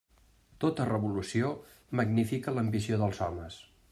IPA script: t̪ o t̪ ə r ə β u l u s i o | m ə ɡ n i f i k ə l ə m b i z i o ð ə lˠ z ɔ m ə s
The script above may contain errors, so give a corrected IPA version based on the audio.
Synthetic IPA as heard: t̪ o t̪ ə r ə β u l u s i o | m ə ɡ n i f i k ə l ə m b i s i o ð ə lˠ z ɔ m ə s